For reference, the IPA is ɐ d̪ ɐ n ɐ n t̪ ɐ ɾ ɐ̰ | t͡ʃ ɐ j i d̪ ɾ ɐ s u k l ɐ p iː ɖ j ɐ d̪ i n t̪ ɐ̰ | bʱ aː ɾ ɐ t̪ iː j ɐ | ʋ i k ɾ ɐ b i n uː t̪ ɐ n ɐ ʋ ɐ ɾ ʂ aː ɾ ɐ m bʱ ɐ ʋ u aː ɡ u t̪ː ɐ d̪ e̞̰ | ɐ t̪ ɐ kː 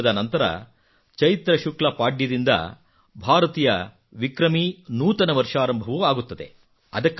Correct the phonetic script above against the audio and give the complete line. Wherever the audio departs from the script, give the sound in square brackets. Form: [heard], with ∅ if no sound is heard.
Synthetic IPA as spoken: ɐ d̪ ɐ n ɐ n t̪ ɐ ɾ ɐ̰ | t͡ʃ ɐ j i [t̪] ɾ ɐ [ʃ] u k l ɐ p [aː] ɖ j ɐ d̪ i n [d̪] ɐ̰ | bʱ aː ɾ ɐ t̪ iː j ɐ | ʋ i k ɾ ɐ [m] i n uː t̪ ɐ n ɐ ʋ ɐ ɾ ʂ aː ɾ ɐ m bʱ ɐ ʋ u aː ɡ u t̪ː ɐ d̪ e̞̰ | ɐ [d̪] ɐ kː